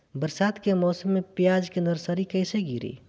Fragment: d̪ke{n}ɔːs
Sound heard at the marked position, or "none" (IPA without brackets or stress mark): m